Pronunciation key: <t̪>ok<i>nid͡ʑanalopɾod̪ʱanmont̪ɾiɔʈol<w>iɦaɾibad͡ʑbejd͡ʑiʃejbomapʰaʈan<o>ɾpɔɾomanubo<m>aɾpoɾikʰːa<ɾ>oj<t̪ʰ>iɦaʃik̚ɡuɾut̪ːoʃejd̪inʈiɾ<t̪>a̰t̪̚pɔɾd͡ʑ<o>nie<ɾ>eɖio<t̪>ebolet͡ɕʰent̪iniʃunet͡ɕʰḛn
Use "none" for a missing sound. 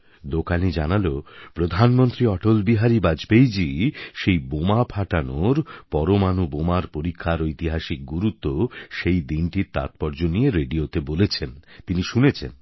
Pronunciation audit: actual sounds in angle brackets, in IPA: d̪, a, b, o, m, ɾ, t̪, t̪, o, ɾ, t̪

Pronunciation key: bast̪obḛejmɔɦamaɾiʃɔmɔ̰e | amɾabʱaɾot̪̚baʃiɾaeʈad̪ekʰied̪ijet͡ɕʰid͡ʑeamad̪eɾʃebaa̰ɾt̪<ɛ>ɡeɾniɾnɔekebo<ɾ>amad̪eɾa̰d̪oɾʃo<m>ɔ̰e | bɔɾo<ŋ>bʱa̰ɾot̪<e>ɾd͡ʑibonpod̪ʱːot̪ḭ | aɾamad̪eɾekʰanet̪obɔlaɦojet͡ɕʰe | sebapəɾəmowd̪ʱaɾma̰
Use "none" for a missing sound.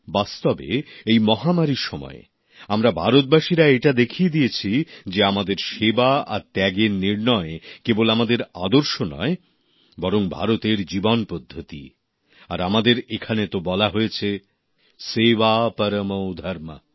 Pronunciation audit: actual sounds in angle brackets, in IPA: ɛ, l, n, ŋ, e

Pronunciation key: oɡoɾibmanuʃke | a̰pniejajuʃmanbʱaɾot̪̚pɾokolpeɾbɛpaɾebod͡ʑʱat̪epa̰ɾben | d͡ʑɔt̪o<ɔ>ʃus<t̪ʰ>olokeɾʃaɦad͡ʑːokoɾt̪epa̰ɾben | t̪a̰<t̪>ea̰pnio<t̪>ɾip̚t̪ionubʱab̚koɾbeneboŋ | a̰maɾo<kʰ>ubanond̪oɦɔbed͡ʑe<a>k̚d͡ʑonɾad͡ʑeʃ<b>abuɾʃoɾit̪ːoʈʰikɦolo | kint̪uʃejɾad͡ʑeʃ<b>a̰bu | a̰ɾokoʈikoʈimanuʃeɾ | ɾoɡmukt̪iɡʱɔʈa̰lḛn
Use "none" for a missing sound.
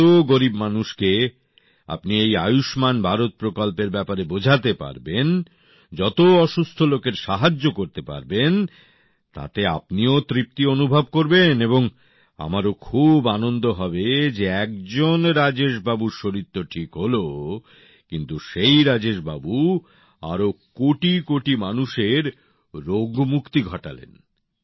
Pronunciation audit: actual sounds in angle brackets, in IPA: ɔ, t̪ʰ, t̪, t̪, kʰ, ɛ, b, b

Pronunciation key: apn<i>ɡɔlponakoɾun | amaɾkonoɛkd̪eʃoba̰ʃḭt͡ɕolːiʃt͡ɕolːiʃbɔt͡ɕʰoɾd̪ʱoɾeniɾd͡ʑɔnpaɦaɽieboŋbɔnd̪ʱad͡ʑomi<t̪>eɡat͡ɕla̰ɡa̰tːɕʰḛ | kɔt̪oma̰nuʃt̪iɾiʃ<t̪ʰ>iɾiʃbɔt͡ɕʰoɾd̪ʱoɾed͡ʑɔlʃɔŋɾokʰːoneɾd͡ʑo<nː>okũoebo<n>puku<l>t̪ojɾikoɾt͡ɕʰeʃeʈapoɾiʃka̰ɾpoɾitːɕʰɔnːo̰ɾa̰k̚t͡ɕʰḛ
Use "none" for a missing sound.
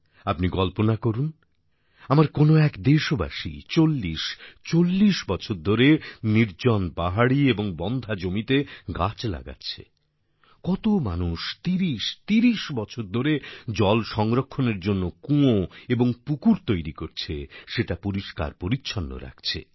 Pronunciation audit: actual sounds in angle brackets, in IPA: i, t̪, t̪, nː, ŋ, ɾ

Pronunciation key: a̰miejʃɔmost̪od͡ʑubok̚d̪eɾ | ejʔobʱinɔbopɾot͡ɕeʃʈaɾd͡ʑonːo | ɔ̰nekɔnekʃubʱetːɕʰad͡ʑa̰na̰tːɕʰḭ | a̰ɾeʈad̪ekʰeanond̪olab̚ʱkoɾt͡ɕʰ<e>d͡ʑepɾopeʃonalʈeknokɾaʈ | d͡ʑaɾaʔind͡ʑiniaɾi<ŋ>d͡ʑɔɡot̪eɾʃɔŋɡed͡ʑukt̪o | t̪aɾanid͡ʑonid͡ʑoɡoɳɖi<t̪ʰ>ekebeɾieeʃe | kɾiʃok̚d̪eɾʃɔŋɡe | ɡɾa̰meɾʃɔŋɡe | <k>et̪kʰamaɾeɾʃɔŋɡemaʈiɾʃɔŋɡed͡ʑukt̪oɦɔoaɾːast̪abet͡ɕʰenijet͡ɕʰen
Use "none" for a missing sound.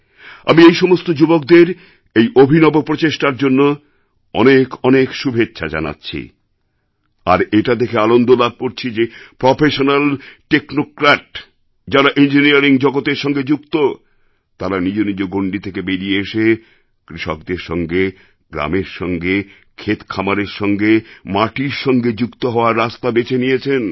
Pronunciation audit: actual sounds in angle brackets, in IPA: i, ŋ, t̪ʰ, kʰ

